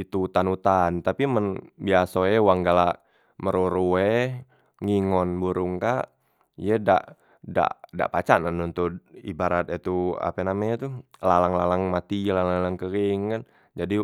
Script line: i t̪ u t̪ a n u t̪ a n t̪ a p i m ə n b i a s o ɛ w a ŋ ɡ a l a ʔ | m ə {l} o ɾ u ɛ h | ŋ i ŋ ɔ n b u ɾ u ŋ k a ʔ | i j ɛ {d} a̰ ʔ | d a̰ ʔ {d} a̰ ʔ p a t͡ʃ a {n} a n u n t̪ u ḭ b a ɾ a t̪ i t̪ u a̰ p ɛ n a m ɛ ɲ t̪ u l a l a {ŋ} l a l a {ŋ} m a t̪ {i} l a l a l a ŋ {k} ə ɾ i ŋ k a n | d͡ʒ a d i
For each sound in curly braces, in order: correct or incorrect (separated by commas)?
incorrect, correct, correct, correct, correct, correct, correct, correct